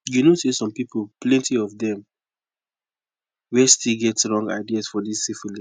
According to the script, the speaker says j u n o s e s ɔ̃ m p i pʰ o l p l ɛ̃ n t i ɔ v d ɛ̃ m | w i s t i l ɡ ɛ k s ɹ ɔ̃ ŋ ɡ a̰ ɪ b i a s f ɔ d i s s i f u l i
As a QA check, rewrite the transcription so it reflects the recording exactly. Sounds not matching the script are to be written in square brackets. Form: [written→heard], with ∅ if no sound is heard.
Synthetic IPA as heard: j u n o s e s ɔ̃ m p i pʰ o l p l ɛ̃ n t i ɔ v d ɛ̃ m | w [i→ɛ] s t i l ɡ ɛ [k→t] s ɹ ɔ̃ ŋ ɡ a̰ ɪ [b→d] i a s f ɔ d i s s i f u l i